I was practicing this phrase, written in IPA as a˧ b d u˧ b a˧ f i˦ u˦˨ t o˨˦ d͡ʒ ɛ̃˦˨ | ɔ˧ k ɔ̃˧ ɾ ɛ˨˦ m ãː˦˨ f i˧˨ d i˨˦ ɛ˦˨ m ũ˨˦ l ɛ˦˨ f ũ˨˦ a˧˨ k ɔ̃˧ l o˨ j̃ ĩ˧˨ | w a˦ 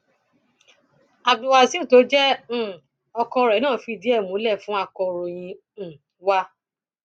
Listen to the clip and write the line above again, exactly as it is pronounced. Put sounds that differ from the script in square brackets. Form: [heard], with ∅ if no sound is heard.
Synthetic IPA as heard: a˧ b d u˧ [w] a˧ [s] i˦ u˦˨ t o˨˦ d͡ʒ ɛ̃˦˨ | ɔ˧ k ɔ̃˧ ɾ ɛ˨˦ [n] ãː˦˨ f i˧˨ d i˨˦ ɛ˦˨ m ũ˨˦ l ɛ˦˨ f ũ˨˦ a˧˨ k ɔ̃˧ [ɾ] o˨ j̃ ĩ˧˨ | w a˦

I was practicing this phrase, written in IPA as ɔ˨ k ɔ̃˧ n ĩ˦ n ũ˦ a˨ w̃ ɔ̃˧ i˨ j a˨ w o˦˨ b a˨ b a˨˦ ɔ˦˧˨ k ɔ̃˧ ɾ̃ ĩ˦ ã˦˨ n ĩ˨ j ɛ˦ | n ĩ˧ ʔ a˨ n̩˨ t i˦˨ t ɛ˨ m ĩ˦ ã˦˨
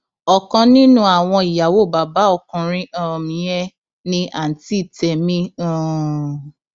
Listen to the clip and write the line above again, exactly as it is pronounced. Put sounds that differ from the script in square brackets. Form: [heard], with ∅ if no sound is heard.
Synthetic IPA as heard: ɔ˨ k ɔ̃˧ n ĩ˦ n ũ˦ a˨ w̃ ɔ̃˧ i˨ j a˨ w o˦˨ b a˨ b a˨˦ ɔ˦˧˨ k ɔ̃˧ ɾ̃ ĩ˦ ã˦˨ [m] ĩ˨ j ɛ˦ | n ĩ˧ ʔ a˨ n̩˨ t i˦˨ t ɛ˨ m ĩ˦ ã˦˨

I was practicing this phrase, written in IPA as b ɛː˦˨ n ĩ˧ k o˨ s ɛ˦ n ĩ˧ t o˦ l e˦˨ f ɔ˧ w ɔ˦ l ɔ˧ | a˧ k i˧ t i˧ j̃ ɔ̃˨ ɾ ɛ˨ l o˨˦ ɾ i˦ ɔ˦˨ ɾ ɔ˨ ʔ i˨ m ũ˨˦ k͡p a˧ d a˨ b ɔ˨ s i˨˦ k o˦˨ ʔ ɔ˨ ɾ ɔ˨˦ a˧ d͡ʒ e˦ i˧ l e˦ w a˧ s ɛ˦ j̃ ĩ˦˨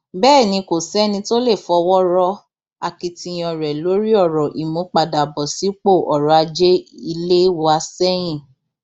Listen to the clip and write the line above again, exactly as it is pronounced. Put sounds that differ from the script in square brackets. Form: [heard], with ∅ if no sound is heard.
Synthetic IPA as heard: b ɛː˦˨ n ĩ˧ k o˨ s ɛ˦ n ĩ˧ t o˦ l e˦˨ f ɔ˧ w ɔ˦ [ɾ] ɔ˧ | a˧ k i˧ t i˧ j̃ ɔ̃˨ ɾ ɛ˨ l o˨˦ ɾ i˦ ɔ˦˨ ɾ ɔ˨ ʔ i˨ m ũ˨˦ k͡p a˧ d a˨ b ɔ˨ s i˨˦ [k͡p] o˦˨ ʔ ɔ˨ ɾ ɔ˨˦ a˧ d͡ʒ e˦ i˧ l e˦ w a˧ s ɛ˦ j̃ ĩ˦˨

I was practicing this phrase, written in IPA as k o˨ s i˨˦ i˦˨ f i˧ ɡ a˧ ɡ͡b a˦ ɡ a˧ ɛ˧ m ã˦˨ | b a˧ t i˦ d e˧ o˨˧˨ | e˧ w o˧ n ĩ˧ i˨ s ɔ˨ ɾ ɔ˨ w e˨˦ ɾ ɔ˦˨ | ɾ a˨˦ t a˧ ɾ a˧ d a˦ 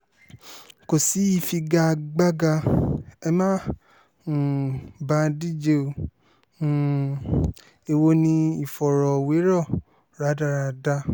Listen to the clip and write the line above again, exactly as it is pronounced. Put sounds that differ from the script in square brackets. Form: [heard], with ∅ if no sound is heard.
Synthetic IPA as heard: k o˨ s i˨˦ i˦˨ f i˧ ɡ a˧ ɡ͡b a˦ ɡ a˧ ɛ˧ m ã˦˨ | b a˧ [d] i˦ [d͡ʒ] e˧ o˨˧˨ | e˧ w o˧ n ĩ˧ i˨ [f] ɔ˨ ɾ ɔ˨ w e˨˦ ɾ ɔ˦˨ | ɾ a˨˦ [d] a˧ ɾ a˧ d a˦

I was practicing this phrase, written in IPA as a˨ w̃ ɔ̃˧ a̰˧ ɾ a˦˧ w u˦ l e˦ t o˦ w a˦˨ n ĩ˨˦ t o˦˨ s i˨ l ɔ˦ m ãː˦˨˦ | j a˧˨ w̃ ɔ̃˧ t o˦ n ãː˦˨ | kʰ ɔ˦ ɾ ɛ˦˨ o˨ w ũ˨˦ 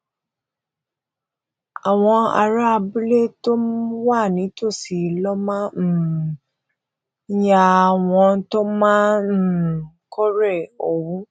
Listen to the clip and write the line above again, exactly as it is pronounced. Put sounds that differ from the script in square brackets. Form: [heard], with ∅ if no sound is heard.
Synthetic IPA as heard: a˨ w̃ ɔ̃˧ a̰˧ ɾ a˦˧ [b] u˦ l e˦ t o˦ w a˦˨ n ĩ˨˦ t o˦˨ s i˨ l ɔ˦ m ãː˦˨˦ | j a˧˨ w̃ ɔ̃˧ t o˦ [m] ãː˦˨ | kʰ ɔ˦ ɾ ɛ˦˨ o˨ w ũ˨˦

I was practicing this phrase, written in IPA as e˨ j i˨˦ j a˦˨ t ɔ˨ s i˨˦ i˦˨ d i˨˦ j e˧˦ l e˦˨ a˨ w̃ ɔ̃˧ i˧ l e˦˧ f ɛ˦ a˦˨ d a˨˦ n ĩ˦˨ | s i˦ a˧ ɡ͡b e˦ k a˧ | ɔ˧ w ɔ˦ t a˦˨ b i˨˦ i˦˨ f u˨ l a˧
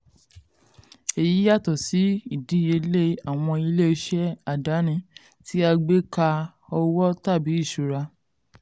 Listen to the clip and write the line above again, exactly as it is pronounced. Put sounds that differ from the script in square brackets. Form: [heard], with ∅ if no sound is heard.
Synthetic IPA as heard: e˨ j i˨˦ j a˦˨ t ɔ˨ s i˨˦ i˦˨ d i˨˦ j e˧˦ l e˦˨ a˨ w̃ ɔ̃˧ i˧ l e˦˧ [ʃ] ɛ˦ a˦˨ d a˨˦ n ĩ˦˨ | [t] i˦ a˧ ɡ͡b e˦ k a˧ | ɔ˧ w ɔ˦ t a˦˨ b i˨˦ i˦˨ [ʃ] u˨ [ɾ] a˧

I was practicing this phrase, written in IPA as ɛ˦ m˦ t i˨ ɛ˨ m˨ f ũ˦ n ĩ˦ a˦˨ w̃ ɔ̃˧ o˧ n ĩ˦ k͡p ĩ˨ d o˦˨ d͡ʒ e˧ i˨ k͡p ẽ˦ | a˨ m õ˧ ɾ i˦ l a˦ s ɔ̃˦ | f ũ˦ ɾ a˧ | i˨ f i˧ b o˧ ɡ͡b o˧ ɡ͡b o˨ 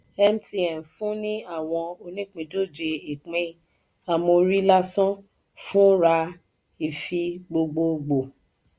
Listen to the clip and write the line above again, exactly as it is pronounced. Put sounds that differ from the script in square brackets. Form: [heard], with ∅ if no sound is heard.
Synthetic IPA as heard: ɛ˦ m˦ t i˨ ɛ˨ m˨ f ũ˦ n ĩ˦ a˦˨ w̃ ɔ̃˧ o˧ n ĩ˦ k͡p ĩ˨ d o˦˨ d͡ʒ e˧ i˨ k͡p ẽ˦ | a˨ m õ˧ ɾ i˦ l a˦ s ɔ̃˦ | f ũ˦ ɾ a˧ | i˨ f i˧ [ɡ͡b] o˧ ɡ͡b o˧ ɡ͡b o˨

